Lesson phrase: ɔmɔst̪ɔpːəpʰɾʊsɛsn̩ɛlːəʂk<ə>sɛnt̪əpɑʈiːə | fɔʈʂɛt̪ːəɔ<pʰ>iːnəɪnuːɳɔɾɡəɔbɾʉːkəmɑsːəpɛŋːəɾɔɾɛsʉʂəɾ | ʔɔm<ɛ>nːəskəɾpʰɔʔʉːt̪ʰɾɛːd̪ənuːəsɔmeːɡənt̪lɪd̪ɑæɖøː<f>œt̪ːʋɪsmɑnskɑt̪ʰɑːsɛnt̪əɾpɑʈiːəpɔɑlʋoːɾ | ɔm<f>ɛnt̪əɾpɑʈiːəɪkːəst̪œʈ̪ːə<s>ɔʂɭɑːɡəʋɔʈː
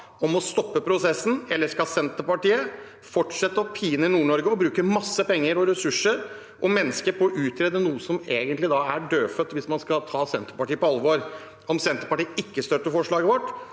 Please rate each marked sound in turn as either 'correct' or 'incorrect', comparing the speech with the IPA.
incorrect, correct, correct, correct, incorrect, incorrect

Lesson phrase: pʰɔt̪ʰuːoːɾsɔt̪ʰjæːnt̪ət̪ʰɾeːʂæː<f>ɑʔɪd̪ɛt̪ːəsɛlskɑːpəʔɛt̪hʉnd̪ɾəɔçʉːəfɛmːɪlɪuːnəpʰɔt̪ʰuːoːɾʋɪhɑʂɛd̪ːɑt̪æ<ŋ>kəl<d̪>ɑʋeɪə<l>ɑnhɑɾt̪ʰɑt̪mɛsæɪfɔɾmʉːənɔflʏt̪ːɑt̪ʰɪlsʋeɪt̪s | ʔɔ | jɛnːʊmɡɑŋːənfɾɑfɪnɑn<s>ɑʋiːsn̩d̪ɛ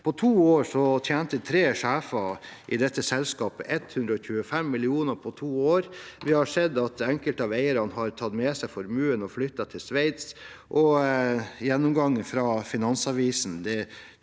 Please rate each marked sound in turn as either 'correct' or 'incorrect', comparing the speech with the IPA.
correct, correct, incorrect, incorrect, correct

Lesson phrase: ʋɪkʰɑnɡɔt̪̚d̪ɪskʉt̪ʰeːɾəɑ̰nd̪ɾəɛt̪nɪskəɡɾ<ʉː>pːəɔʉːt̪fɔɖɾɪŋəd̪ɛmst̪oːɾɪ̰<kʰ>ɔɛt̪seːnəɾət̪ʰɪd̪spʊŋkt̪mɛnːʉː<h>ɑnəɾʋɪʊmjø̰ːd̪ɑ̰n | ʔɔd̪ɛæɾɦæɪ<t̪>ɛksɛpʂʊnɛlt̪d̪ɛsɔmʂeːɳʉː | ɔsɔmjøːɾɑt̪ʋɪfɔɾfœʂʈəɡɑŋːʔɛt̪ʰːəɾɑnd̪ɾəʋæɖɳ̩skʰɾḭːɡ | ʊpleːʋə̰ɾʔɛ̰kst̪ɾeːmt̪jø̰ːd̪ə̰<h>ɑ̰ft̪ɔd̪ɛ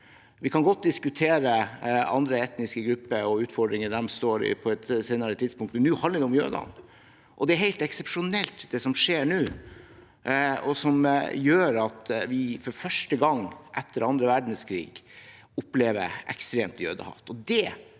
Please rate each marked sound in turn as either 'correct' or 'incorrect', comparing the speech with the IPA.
incorrect, incorrect, correct, correct, correct

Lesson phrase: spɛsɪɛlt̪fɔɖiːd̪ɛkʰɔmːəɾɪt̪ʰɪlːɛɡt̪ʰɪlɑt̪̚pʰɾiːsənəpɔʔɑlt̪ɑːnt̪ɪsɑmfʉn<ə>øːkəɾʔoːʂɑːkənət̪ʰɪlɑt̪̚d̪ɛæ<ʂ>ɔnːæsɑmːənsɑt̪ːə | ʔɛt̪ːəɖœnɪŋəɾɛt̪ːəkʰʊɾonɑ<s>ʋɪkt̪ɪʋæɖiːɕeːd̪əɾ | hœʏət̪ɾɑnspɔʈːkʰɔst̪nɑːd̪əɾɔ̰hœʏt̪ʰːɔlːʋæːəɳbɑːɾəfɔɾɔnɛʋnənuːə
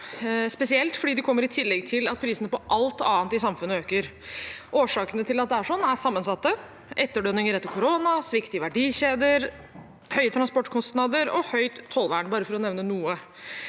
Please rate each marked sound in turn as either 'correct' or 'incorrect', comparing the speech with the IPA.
correct, correct, correct

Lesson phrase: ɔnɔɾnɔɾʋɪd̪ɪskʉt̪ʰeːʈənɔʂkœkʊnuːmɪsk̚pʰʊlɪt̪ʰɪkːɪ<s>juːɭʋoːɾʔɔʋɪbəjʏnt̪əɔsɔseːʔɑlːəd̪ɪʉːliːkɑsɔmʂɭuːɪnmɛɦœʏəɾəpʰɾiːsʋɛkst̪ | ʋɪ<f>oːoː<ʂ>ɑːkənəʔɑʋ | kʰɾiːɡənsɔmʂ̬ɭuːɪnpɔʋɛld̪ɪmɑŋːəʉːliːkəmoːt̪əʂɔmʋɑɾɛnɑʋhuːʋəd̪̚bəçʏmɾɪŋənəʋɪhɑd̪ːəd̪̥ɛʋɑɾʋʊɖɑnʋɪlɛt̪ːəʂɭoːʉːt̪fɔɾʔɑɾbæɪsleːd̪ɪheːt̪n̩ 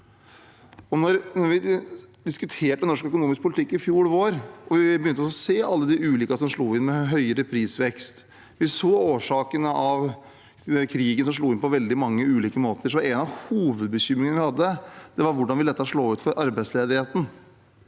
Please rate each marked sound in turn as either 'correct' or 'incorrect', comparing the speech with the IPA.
incorrect, incorrect, correct

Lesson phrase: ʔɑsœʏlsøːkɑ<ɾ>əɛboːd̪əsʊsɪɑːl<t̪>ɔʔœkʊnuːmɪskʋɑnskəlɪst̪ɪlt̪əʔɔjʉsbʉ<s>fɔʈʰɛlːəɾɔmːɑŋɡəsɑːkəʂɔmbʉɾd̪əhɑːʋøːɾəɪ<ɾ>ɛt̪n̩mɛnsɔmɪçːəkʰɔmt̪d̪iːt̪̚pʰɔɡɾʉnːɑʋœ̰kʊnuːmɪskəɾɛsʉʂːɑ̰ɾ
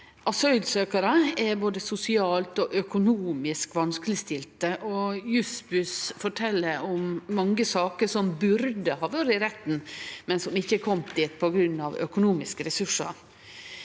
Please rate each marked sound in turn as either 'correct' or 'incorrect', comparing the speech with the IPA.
correct, correct, correct, correct

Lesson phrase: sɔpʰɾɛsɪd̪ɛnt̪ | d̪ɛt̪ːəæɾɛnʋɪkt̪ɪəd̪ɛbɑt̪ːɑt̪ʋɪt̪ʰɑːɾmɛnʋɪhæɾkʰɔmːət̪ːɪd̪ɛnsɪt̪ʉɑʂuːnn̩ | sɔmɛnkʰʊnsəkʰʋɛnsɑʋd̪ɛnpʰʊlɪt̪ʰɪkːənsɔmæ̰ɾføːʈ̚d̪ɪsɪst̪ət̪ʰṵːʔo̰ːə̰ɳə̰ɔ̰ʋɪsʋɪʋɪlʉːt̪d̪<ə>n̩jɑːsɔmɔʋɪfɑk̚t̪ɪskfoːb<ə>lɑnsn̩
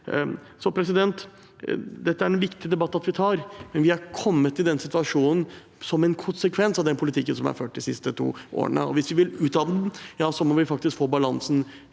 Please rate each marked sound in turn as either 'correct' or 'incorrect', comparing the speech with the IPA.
incorrect, incorrect

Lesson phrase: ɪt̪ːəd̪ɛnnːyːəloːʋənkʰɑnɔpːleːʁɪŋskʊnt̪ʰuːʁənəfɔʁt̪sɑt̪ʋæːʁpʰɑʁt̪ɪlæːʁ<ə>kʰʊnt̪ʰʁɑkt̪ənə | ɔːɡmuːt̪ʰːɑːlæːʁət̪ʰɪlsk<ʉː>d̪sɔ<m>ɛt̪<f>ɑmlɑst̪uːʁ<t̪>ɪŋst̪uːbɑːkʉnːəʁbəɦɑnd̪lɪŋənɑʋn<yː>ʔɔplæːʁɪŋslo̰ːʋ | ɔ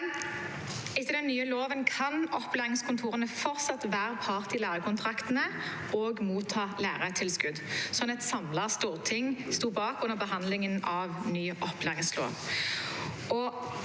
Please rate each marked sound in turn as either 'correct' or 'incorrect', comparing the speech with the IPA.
correct, incorrect, incorrect, incorrect, incorrect, correct

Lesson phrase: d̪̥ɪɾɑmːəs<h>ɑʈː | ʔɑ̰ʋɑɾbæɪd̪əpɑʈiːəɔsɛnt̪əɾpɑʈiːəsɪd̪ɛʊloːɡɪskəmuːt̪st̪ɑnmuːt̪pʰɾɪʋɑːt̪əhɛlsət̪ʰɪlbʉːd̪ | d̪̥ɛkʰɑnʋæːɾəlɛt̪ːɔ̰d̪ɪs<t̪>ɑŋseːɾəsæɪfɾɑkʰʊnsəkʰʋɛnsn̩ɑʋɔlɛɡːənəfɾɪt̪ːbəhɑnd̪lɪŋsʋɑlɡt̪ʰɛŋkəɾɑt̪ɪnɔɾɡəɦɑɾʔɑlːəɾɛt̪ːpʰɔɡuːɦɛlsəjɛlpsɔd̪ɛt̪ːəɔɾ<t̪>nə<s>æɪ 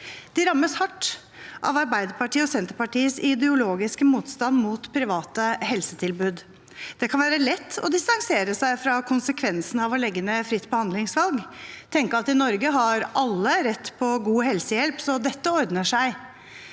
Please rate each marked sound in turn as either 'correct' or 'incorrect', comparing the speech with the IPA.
correct, correct, incorrect, incorrect

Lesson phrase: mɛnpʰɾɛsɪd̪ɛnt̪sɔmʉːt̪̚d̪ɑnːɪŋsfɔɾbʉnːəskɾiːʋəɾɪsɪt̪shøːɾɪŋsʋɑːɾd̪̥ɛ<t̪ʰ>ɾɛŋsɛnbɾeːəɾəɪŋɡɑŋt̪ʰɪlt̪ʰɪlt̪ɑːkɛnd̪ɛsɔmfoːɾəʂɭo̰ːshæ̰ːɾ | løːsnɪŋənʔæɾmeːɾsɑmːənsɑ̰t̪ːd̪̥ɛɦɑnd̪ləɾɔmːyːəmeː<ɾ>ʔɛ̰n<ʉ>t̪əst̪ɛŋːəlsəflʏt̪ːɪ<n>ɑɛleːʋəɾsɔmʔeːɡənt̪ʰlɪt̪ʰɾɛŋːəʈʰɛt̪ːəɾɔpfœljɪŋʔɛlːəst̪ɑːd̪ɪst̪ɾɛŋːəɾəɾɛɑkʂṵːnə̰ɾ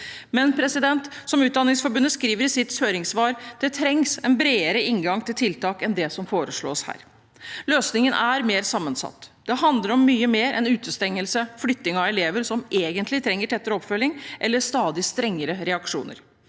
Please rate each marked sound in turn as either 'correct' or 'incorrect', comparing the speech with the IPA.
correct, correct, incorrect, incorrect

